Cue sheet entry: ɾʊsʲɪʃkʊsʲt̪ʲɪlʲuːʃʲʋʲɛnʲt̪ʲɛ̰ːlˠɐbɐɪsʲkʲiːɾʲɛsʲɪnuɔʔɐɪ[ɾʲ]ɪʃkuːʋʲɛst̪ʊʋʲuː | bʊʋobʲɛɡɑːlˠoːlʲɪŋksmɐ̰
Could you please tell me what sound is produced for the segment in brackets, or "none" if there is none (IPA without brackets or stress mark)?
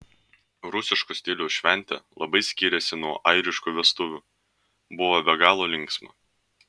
ɾʲ